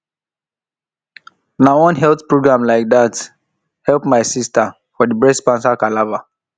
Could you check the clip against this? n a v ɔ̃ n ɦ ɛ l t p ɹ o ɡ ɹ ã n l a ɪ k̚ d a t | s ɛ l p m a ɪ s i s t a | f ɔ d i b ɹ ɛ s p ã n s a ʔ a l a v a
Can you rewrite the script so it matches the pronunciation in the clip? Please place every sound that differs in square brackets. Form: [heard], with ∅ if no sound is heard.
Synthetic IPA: n a [w] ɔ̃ n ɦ ɛ l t p ɹ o ɡ ɹ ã [m] l a ɪ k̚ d a t | [h] ɛ l p m a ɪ s i s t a | f ɔ d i b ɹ ɛ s p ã n s a [k] a l a v a

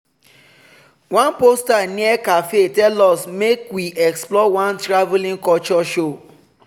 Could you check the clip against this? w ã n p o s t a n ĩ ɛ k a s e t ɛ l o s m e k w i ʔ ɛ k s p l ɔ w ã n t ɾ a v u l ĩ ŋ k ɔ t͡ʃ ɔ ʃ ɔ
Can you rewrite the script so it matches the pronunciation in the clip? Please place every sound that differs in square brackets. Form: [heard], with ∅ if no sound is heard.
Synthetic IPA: w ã n p o s t a n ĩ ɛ k a [f] e t ɛ l [ɔ] s m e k w i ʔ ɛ k s p l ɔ w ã n t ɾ a v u l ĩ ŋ k ɔ t͡ʃ ɔ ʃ [o]

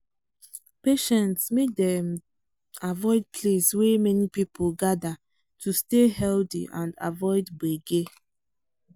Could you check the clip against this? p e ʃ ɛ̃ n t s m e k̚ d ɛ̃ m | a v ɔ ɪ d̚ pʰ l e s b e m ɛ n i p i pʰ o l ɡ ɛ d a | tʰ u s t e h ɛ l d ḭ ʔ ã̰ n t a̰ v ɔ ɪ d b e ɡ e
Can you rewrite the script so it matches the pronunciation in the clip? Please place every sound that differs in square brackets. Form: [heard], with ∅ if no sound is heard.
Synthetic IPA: p e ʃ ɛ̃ n t s m e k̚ d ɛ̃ m | a v ɔ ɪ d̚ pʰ l e s [w] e m ɛ n i p i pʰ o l ɡ [a] d a | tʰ u s t e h ɛ l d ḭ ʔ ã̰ n [d] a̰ v ɔ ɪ d b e ɡ e

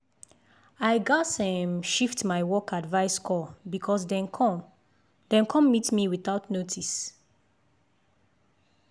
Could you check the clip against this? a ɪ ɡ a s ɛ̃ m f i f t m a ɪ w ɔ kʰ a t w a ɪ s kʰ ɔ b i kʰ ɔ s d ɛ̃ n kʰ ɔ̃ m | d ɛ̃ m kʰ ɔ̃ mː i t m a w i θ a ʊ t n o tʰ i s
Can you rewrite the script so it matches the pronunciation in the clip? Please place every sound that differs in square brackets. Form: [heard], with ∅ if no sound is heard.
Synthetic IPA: a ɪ ɡ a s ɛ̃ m [ʃ] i f t m a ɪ w ɔ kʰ a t [v] a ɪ s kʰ ɔ b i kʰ ɔ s d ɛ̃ n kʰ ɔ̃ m | d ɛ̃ [n] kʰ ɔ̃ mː i t m [i] w i θ a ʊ t n o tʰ i s

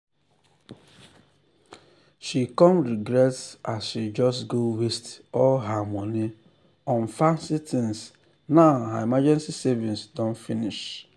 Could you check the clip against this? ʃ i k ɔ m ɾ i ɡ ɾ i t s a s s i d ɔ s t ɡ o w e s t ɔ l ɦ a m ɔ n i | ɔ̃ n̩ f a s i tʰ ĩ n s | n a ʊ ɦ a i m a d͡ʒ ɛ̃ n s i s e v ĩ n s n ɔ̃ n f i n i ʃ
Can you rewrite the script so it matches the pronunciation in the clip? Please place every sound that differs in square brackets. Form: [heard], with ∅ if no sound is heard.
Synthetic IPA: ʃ i k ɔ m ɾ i ɡ ɾ [ɛ] t s a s [ʃ] i [d͡ʒ] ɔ s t ɡ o w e s t ɔ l ɦ a m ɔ n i | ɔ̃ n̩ f a s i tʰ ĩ n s | n a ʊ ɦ a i m a d͡ʒ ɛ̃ n s i s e v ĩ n s [d] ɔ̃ n f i n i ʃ

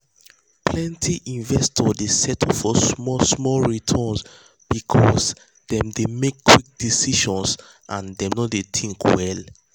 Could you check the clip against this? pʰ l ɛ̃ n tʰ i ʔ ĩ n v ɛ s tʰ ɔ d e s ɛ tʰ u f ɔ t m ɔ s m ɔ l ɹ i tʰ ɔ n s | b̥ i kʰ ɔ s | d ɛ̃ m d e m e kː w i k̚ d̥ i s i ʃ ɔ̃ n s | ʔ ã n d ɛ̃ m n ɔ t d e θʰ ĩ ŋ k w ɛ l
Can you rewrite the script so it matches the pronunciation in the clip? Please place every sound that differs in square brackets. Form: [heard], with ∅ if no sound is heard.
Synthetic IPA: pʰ l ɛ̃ n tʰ i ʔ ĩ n v ɛ s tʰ ɔ d e s ɛ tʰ [ɔ] f ɔ [s] m ɔ s m ɔ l ɹ i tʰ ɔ n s | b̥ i kʰ ɔ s | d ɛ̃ m d e m e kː w i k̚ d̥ i s i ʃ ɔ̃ n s | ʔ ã n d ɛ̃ m n ɔ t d e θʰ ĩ ŋ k w ɛ l

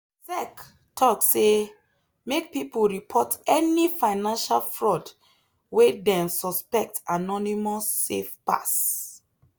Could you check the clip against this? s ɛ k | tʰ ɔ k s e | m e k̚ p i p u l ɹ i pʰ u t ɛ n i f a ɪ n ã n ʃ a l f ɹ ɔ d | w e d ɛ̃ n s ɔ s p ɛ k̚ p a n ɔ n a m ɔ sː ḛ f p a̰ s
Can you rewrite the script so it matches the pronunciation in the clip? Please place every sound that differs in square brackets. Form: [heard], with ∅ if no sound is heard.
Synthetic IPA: s ɛ k | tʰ ɔ k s e | m e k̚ p i p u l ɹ i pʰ [ɔ] t ɛ n i f a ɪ n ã n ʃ a l f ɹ ɔ d | w e d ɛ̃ n s ɔ s p ɛ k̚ [t] a n ɔ n [i] m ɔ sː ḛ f p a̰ s

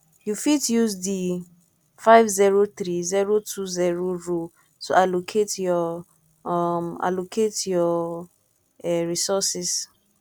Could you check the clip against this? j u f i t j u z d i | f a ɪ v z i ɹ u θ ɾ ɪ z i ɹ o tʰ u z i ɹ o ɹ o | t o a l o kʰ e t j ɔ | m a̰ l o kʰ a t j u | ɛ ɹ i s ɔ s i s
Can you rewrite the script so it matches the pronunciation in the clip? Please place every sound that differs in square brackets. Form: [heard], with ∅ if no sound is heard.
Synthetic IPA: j u f i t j u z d i | f a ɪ v z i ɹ [o] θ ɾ [i] z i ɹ o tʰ u z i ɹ o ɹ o | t o a l o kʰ e t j ɔ | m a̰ l o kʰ [e] t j [ɔ] | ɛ ɹ i s ɔ s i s

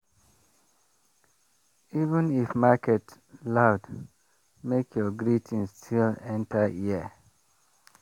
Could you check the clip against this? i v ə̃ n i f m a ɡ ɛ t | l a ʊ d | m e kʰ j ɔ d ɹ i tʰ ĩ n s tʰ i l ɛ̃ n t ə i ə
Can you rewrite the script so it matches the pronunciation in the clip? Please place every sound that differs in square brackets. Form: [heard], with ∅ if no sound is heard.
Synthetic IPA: i v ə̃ n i f m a [k] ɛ t | l a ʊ d | m e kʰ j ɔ [ɡ] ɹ i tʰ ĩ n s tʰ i l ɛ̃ n t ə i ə

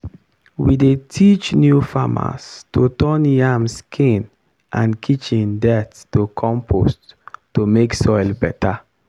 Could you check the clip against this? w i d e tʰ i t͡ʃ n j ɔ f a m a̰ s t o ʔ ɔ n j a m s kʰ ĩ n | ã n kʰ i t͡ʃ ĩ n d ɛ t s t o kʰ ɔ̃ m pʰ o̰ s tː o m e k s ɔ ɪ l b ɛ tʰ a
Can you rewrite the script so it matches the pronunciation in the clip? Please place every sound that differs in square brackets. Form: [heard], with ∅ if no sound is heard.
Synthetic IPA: w i d e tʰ i t͡ʃ n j [u] f a m a̰ s t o [t] ɔ n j a m s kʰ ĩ n | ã n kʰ i t͡ʃ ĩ n d ɛ t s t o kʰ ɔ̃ m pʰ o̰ s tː o m e k s ɔ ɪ l b ɛ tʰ a

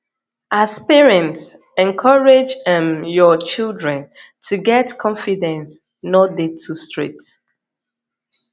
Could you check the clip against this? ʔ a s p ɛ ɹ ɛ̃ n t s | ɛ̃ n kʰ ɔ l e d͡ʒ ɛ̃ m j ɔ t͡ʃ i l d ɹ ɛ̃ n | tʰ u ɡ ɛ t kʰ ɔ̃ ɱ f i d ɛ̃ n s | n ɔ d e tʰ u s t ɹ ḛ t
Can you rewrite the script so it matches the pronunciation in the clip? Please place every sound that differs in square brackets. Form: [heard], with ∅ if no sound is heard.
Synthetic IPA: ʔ a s p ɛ ɹ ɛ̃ n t s | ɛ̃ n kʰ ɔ [ɹ] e d͡ʒ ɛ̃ m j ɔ t͡ʃ i l d ɹ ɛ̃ n | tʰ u ɡ ɛ t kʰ ɔ̃ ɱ f i d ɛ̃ n s | n ɔ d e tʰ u s t ɹ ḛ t

